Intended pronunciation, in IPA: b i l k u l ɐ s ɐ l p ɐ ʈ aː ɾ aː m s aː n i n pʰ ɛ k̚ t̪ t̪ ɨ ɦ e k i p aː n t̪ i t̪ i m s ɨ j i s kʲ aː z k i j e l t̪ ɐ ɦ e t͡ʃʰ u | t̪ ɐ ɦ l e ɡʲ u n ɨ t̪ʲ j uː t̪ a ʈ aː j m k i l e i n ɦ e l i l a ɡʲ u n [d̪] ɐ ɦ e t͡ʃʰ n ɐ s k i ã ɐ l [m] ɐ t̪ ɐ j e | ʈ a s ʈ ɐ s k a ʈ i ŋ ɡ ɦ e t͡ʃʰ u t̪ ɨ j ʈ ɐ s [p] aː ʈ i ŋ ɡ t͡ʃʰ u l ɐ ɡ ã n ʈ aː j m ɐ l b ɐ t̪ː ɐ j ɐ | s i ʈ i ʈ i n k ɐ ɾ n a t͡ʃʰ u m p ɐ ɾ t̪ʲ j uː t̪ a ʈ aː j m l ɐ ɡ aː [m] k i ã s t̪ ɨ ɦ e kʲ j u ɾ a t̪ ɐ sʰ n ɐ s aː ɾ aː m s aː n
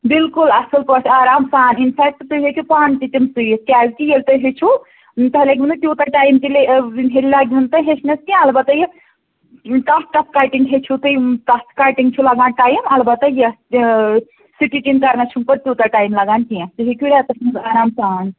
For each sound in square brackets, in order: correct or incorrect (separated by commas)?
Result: incorrect, incorrect, incorrect, incorrect